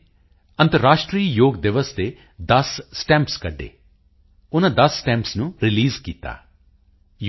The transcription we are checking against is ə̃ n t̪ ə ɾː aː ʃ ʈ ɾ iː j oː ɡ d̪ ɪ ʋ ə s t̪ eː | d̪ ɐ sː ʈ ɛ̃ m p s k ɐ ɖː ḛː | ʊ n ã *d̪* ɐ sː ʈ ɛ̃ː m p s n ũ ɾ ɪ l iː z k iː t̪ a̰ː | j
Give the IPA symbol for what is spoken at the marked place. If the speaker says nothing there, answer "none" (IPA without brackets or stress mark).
d̪